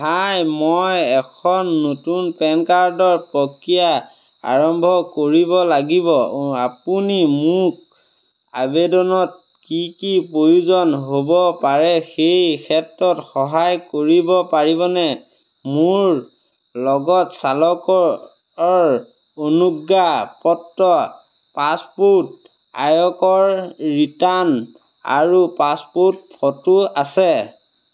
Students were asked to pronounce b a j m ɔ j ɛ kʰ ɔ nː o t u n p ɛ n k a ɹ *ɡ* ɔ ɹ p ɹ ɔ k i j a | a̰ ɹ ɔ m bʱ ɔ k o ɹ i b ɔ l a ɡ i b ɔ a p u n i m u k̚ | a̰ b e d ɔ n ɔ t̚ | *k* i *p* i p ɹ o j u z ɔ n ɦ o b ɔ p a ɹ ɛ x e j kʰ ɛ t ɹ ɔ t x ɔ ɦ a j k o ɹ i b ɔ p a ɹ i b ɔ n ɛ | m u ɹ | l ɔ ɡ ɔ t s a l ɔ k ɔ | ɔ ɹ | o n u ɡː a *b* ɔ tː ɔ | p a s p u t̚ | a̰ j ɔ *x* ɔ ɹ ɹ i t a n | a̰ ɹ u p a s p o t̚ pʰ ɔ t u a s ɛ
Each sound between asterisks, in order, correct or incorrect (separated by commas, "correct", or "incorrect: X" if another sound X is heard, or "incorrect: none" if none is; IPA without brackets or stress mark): incorrect: d, correct, incorrect: k, incorrect: p, incorrect: k